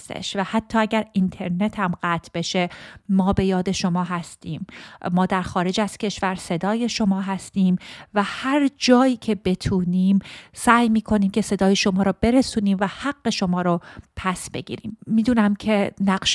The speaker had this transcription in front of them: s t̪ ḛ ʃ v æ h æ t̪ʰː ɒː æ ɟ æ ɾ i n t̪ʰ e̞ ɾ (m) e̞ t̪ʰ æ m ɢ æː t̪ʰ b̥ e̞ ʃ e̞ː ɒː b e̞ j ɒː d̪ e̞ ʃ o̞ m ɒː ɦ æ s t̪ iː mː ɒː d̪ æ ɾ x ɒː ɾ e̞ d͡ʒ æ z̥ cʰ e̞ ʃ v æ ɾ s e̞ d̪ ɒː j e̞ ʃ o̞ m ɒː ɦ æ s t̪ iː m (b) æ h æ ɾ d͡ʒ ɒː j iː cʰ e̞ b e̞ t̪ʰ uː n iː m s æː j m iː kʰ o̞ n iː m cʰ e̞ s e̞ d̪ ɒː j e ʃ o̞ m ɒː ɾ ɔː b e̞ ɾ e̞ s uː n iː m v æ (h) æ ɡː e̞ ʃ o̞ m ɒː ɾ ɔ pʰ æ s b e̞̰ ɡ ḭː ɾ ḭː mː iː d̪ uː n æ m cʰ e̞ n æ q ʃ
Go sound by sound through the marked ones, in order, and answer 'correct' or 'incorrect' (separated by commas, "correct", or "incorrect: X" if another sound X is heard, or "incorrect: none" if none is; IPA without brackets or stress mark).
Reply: incorrect: n, incorrect: v, correct